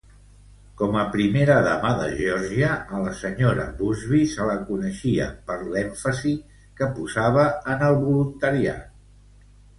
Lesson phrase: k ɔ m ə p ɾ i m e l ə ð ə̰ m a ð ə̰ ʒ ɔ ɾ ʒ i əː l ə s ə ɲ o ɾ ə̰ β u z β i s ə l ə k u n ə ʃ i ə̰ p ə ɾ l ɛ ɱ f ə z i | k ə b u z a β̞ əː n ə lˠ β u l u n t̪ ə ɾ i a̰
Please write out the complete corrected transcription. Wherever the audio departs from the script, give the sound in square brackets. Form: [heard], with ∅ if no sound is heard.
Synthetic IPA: k ɔ m ə p ɾ i m e [ɾ] ə ð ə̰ m a ð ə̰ ʒ ɔ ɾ ʒ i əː l ə s ə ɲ o ɾ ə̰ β u z β i s ə l ə k u n ə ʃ i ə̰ p ə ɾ l ɛ ɱ f ə z i | k ə [p] u z a β̞ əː n ə lˠ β u l u n t̪ ə ɾ i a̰